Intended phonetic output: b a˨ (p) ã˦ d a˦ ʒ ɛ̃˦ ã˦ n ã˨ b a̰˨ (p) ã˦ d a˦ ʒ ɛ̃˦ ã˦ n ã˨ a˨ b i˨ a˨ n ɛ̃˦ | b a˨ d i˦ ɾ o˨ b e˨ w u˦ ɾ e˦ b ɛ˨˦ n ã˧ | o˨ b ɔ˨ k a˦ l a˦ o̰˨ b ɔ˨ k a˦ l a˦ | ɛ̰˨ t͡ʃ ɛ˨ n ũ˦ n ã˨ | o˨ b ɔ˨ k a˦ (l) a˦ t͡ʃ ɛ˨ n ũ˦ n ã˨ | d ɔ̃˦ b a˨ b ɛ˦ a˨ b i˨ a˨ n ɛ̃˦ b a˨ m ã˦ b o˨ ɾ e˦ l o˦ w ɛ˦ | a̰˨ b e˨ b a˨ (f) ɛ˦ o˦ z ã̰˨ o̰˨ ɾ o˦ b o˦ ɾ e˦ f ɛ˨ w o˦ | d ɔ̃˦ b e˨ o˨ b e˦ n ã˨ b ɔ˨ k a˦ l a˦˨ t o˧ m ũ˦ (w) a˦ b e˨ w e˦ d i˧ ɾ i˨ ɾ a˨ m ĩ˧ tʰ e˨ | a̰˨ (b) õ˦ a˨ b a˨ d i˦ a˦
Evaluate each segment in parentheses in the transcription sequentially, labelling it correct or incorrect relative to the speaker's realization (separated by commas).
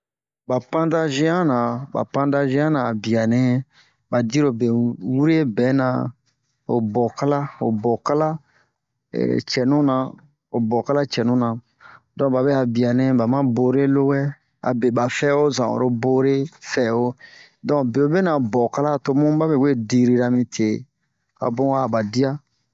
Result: correct, correct, correct, correct, incorrect, correct